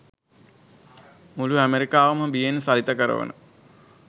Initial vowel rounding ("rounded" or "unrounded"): rounded